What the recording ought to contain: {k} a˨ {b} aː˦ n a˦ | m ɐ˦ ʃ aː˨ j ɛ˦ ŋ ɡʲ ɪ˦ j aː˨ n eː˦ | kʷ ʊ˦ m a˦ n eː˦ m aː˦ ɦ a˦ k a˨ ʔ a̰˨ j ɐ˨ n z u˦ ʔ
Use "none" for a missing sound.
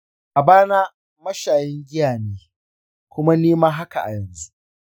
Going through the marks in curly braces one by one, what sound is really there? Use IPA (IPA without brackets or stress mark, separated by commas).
ʔ, b